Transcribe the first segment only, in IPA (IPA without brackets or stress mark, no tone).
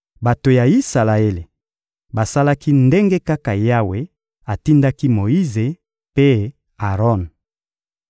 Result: b